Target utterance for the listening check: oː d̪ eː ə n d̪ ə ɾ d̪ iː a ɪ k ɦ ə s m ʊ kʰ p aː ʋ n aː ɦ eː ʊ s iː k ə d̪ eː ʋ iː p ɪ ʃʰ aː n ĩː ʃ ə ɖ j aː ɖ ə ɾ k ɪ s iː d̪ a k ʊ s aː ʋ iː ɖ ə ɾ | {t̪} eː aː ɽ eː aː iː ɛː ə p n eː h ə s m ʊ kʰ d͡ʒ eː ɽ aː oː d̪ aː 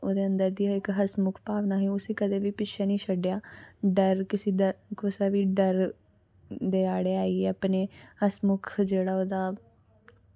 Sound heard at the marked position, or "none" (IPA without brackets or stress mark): d̪